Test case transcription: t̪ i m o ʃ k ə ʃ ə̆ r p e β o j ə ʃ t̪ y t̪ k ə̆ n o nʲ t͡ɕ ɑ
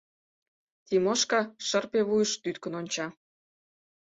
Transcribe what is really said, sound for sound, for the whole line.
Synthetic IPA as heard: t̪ i m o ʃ k ɑ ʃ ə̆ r p e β u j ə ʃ t̪ y t̪ k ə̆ n o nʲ t͡ɕ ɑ